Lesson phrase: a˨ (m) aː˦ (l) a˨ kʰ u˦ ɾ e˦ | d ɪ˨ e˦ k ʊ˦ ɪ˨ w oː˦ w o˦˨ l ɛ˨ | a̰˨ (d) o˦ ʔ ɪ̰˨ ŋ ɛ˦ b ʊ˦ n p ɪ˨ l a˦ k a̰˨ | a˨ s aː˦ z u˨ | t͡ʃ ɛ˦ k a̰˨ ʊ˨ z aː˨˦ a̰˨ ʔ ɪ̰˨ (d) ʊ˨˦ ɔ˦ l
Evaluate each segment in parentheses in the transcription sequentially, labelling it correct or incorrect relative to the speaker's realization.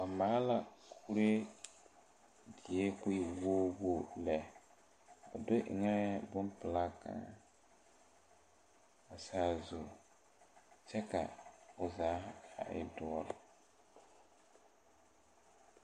correct, correct, correct, correct

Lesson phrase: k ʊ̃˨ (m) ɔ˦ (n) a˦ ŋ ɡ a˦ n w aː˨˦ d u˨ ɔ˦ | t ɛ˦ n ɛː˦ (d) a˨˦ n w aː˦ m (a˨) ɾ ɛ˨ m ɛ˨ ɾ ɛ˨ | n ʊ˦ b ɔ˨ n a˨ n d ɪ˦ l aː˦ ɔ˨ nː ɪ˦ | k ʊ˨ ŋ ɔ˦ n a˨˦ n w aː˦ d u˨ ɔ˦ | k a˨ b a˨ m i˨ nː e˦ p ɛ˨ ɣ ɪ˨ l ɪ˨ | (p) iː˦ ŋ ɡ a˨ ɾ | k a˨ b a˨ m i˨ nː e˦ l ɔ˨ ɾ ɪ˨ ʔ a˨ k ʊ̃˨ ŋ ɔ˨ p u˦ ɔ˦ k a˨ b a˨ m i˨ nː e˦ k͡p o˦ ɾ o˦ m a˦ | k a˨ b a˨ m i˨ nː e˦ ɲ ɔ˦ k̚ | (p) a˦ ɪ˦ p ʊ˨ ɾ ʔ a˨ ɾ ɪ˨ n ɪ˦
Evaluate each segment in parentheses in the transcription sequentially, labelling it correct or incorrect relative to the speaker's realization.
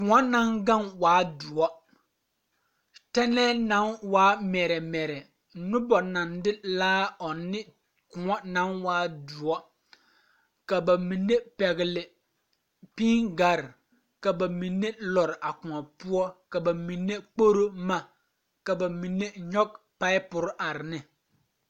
incorrect: ŋ, correct, incorrect: n, incorrect: ɛ˨, correct, correct

